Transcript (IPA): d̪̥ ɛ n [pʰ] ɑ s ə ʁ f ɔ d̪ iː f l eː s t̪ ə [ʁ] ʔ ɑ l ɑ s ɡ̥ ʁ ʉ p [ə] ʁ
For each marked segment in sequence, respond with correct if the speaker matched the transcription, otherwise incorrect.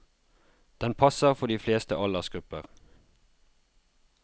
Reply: correct, incorrect, correct

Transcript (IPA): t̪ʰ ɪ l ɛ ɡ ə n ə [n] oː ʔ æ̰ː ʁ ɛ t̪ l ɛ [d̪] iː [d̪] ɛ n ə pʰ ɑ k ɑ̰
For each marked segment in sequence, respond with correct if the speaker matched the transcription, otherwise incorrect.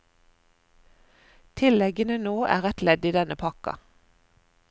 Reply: correct, correct, correct

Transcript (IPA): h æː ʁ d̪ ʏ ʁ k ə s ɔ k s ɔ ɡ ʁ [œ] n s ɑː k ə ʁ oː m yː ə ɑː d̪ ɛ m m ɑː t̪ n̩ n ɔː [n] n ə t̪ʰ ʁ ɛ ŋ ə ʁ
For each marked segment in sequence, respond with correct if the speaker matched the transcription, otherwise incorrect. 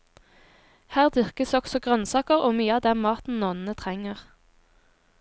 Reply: correct, correct

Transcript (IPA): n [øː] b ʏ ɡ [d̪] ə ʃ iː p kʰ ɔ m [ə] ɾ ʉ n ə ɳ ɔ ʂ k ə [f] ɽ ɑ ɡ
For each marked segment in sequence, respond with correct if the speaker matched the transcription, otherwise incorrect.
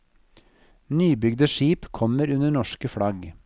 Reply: incorrect, correct, correct, correct

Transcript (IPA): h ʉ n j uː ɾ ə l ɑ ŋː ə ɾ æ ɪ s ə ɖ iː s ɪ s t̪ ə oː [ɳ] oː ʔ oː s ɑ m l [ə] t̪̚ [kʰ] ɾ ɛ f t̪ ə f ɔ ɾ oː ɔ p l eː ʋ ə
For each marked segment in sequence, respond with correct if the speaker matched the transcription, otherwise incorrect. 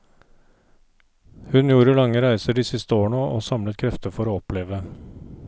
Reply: correct, correct, correct

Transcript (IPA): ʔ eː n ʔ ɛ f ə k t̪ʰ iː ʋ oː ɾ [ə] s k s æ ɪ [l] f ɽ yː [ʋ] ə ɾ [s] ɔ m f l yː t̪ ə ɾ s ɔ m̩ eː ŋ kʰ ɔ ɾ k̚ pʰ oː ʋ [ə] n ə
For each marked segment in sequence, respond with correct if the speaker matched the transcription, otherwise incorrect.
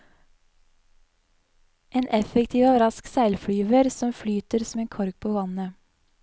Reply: incorrect, correct, correct, correct, incorrect

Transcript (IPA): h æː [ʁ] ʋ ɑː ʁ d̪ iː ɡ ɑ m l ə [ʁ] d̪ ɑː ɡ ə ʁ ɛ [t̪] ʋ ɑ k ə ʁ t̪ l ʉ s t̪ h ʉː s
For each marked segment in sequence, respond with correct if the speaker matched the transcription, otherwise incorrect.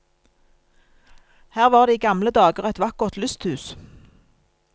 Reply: correct, incorrect, correct

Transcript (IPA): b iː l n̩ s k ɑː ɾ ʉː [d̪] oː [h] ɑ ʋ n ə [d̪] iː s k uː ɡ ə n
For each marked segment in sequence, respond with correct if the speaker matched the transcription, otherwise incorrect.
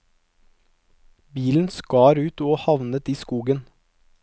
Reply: incorrect, correct, incorrect

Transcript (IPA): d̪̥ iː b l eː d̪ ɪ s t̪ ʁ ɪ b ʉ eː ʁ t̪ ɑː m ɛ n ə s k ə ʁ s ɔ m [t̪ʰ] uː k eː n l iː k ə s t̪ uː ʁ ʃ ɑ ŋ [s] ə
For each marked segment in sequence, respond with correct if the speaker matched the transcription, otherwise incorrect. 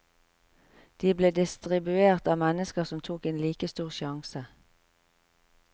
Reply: correct, correct

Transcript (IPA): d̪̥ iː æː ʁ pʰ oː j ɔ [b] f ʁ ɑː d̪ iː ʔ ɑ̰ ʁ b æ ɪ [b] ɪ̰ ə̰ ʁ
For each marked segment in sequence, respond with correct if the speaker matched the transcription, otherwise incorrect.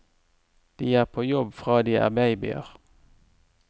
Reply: correct, correct

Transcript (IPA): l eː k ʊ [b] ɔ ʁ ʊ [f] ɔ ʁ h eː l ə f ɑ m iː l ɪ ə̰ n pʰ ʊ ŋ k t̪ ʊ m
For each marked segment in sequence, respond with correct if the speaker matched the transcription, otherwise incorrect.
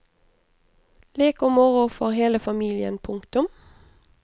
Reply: incorrect, correct

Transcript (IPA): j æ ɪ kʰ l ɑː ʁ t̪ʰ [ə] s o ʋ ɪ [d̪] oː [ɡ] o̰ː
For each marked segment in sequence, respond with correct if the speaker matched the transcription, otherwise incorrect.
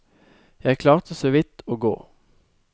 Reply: correct, incorrect, correct

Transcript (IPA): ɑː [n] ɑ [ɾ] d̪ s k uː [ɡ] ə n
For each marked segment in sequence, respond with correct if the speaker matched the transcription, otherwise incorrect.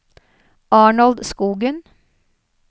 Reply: incorrect, incorrect, correct

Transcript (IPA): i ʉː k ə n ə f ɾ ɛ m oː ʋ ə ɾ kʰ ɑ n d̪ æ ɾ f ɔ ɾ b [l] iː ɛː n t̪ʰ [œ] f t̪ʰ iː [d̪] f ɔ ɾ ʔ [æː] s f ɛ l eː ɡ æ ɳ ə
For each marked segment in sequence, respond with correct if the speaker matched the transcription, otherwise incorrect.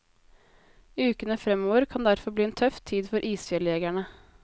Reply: correct, correct, correct, incorrect

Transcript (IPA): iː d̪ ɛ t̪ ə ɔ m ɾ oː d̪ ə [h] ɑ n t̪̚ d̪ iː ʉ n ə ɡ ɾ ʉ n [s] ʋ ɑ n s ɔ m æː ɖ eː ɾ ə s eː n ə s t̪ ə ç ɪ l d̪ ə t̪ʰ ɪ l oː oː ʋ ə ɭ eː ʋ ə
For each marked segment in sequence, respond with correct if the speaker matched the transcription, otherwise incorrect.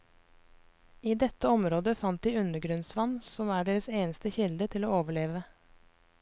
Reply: incorrect, correct

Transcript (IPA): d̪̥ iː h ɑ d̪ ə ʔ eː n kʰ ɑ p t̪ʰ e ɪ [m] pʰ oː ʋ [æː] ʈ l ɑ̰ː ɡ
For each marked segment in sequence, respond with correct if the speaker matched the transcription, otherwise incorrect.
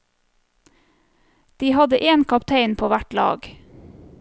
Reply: incorrect, incorrect

